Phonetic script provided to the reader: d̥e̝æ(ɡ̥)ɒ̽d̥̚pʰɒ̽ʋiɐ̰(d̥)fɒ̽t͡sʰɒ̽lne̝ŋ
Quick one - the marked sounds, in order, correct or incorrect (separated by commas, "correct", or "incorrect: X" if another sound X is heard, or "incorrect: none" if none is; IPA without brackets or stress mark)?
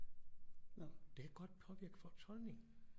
correct, incorrect: ɡ̥